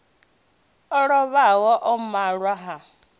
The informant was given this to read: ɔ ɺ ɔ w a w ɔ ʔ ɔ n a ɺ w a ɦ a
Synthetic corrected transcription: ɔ ɺ ɔ β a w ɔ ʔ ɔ m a ɺ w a ɦ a